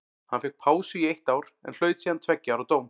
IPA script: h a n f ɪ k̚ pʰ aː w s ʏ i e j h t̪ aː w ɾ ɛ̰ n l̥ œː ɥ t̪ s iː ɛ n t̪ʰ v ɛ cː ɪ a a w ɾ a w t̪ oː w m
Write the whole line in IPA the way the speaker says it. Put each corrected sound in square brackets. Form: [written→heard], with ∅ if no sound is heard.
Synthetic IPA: h a n f ɪ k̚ pʰ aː w s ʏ i e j h t̪ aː w ɾ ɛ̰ n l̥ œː ɥ t̪ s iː [ɛ→a] n t̪ʰ v ɛ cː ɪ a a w ɾ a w t̪ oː w m